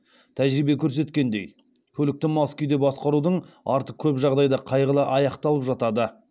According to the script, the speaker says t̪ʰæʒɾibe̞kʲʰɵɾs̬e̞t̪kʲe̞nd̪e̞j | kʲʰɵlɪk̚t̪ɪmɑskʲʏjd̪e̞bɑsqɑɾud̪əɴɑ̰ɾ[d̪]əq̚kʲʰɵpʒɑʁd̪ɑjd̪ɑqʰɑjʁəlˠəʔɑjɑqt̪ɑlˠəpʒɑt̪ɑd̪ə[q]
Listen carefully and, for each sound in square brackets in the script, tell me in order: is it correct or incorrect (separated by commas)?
incorrect, incorrect